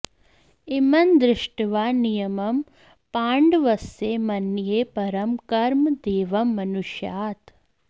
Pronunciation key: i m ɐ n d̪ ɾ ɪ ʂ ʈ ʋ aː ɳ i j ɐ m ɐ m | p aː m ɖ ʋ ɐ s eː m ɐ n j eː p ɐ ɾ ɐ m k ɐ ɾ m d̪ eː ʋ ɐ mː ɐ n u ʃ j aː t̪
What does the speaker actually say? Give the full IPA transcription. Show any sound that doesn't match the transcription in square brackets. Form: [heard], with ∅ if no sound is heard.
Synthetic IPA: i m ɐ n d̪ ɾ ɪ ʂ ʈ ʋ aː [n] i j ɐ m ɐ m | p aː [ɳ] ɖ ʋ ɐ s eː m ɐ n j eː p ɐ ɾ ɐ m k ɐ ɾ m d̪ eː ʋ ɐ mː ɐ n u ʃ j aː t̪